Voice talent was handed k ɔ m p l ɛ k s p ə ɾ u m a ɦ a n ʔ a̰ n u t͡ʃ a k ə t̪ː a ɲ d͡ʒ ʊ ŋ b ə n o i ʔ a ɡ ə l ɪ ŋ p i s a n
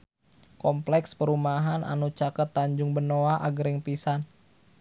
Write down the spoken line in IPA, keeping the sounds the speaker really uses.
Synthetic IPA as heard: k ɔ m p l ɛ k s p ə ɾ u m a ɦ a n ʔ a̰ n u t͡ʃ a k ə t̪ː a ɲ d͡ʒ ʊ ŋ b ə n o a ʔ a ɡ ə ɾ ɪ ŋ p i s a n